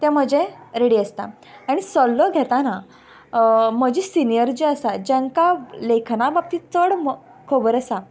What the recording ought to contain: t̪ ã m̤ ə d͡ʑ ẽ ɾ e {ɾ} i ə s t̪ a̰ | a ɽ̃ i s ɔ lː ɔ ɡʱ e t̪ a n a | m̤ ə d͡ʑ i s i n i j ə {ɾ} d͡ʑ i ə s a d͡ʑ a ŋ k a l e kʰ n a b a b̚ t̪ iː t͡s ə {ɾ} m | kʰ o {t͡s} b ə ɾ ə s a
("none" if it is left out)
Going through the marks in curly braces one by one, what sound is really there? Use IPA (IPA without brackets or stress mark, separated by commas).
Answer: ɽ, ɾ, ɽ, none